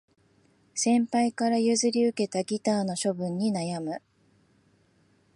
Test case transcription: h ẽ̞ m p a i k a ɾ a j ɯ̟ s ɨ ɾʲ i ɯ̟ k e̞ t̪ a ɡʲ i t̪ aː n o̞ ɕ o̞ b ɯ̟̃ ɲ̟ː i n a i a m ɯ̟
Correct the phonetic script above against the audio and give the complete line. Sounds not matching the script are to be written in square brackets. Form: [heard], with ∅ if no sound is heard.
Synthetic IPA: [s] ẽ̞ m p a i k a ɾ a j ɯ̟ [z] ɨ ɾʲ i ɯ̟ k e̞ t̪ a ɡʲ i t̪ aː n o̞ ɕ o̞ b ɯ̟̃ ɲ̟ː i n a [j] a m ɯ̟